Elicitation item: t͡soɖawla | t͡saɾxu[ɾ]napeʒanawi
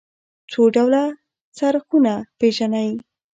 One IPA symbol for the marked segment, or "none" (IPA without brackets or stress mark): none